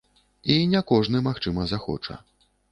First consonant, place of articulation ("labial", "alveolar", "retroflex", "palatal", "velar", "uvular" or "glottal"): alveolar